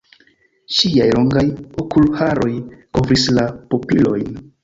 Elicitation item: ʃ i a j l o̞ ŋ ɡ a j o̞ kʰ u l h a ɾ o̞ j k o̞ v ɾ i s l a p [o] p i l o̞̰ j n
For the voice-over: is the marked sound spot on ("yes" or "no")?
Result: yes